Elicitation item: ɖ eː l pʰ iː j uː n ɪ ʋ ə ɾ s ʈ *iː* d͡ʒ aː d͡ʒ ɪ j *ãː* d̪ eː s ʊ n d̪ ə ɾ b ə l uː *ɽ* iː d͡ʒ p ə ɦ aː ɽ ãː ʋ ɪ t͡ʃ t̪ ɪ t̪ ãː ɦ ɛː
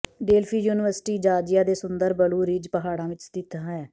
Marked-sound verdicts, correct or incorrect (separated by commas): correct, incorrect, incorrect